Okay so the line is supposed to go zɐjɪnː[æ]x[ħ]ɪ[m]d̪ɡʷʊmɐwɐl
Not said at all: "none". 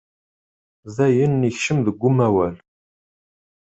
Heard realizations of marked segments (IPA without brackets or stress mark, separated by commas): i, ʃ, m